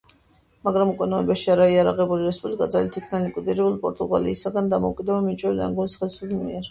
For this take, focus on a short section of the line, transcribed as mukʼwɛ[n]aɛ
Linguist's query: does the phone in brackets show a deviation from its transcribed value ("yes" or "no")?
no